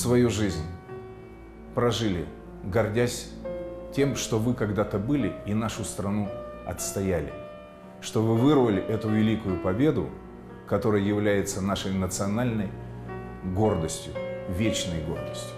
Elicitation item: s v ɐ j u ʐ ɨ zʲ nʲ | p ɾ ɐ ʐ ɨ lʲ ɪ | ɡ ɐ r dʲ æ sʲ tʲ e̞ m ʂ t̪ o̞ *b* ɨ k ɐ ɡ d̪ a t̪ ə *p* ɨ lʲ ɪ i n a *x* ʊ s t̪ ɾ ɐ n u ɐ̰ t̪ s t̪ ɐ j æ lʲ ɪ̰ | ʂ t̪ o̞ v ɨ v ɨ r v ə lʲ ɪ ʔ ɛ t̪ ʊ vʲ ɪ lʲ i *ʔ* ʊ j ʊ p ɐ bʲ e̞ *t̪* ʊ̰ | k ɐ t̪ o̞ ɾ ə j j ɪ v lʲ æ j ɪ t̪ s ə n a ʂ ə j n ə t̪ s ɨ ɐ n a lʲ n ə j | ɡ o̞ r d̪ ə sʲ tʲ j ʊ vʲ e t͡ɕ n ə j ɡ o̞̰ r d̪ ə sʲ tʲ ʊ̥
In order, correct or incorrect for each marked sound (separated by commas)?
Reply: incorrect, incorrect, incorrect, incorrect, incorrect